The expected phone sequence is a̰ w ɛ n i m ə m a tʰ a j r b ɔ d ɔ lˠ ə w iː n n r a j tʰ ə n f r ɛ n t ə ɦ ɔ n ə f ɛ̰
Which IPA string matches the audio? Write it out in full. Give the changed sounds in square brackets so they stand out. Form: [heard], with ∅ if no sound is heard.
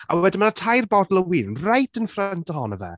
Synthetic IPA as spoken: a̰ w ɛ [d] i m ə [n] a tʰ a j r b ɔ d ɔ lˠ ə w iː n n r a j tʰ ə n f r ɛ n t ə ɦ ɔ n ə [v] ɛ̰